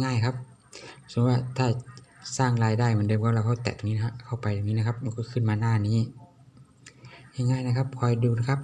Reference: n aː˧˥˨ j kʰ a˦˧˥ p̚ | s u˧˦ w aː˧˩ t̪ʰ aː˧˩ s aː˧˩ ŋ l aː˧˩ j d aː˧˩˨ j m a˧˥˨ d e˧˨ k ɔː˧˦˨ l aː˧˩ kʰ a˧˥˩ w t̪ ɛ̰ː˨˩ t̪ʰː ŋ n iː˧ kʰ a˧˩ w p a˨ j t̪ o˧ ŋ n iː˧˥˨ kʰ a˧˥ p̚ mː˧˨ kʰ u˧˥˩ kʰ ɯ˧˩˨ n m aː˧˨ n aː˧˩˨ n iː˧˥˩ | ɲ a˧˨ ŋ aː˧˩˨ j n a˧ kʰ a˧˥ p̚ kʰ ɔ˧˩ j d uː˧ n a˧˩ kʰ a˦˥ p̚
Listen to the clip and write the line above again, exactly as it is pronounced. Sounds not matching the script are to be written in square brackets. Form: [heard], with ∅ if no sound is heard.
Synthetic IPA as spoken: [ŋ] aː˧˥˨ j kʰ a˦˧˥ p̚ | s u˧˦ w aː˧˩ t̪ʰ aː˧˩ s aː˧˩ ŋ l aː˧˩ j d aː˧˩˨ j m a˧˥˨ d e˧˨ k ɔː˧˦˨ l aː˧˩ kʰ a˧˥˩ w t̪ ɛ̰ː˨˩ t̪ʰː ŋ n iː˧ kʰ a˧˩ w p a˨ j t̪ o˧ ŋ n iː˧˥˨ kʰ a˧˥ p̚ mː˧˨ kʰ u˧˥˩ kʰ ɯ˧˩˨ n m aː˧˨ n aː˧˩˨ n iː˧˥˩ | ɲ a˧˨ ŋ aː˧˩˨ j n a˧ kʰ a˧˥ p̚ kʰ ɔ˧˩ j d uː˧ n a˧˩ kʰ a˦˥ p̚